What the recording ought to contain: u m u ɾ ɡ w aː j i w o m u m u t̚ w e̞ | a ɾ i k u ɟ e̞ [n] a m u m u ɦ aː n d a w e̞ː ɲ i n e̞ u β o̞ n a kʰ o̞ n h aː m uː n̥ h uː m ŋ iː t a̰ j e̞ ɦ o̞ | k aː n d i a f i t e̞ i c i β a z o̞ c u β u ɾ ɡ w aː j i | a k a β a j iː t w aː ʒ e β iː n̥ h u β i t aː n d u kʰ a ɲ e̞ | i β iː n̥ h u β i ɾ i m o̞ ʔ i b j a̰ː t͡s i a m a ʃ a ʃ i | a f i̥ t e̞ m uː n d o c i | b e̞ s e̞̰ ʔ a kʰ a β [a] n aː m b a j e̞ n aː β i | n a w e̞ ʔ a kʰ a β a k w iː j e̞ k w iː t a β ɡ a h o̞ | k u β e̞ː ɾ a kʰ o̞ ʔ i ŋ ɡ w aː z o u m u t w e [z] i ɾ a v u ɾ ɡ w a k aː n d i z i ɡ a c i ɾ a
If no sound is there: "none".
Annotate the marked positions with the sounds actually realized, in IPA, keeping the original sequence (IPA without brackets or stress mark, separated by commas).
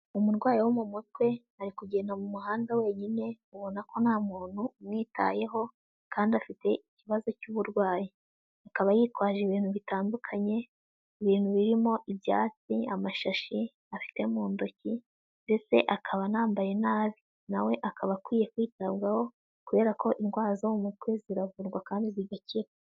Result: n, a, z